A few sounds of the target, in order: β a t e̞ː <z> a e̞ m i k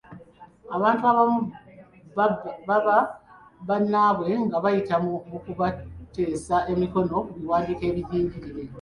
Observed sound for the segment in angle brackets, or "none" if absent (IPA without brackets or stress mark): s